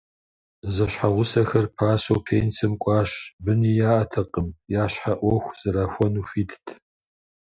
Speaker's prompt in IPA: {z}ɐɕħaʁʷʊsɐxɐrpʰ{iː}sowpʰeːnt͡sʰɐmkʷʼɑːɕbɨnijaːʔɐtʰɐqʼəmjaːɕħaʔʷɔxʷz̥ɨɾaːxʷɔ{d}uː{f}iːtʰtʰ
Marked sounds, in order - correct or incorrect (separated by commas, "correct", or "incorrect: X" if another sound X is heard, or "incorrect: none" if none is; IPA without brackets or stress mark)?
correct, incorrect: aː, incorrect: n, correct